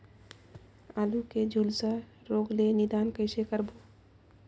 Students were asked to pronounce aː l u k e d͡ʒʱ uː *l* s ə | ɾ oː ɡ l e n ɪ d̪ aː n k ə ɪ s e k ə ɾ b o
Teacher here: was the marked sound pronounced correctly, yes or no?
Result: yes